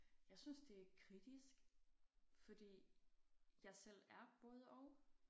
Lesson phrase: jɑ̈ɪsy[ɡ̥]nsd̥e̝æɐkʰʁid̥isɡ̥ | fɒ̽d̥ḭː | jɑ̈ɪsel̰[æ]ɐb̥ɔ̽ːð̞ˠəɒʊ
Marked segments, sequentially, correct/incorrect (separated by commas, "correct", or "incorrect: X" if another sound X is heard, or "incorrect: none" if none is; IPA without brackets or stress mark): incorrect: none, correct